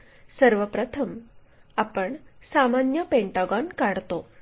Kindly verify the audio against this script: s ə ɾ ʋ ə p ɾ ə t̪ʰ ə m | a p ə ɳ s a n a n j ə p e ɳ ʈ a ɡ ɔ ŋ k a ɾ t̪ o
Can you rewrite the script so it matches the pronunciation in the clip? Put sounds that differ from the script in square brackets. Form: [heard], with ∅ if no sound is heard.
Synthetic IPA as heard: s ə ɾ ʋ ə p ɾ ə t̪ʰ ə m | a p ə ɳ s a [m] a n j ə p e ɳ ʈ a ɡ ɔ [n] k a [ɽ] t̪ o